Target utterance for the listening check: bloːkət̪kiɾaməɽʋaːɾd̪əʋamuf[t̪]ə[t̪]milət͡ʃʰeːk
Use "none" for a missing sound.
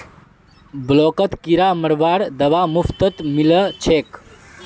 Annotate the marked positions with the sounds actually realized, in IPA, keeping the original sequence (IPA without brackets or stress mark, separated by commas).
t̪, t̪